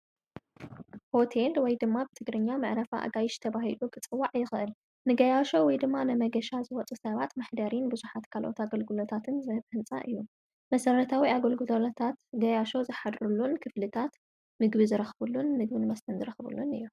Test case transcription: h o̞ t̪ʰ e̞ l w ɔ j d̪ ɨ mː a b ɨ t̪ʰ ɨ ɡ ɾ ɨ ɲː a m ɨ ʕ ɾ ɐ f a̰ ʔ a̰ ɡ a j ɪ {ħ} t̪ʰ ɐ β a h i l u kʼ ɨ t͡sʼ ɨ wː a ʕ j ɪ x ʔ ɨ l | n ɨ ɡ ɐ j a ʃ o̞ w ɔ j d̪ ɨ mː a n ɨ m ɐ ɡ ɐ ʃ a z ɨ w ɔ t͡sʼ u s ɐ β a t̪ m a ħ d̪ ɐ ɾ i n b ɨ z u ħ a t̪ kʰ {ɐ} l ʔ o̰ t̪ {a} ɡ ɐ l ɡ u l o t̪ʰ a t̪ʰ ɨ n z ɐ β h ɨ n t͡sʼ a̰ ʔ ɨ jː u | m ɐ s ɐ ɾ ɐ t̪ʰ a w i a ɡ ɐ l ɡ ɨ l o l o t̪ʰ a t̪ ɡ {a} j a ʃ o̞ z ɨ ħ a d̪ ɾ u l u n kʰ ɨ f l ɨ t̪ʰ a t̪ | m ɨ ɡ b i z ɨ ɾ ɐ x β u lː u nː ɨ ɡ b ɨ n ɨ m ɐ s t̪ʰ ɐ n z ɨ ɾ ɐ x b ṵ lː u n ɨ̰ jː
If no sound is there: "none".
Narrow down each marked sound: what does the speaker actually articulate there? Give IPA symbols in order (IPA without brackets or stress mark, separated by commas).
ʃ, a, a, ɐ